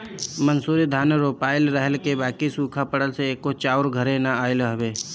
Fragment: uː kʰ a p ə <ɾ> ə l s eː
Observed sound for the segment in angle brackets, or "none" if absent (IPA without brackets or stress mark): ɽ